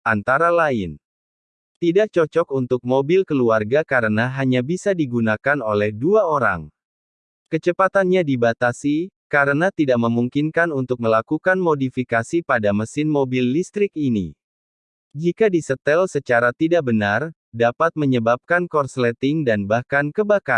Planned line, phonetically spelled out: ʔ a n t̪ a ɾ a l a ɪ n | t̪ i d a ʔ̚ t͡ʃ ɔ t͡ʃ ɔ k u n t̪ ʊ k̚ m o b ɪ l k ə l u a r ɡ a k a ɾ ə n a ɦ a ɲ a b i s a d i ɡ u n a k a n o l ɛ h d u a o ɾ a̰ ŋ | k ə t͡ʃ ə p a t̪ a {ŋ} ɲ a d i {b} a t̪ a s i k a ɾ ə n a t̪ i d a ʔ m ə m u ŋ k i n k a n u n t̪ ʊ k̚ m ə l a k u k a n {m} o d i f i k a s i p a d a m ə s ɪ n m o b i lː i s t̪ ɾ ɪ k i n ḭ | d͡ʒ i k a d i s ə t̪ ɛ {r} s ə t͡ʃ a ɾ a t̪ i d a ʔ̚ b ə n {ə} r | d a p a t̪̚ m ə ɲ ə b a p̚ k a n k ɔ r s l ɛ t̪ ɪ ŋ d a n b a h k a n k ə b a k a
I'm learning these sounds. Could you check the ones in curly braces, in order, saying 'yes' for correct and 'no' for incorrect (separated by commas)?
no, yes, yes, no, no